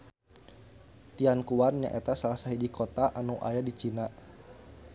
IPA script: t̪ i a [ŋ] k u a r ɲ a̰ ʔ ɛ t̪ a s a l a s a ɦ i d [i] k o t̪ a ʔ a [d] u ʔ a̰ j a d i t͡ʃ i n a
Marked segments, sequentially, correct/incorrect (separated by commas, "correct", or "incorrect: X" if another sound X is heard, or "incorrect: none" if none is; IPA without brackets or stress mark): incorrect: n, correct, incorrect: n